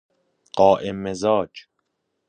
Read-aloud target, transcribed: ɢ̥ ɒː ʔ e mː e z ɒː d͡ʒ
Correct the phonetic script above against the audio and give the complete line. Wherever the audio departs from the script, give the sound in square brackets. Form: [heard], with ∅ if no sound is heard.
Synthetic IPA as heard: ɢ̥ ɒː ʔ e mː e z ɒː d͡ʒ